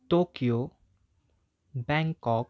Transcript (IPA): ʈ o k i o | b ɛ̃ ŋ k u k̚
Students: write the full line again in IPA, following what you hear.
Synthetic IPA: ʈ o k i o | b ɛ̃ ŋ k ɔ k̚